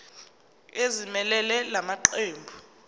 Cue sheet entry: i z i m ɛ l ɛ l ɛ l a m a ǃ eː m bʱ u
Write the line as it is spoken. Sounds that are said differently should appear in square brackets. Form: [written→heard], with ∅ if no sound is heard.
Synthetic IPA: [i→e] z i m ɛ l ɛ l ɛ l a m a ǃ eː m bʱ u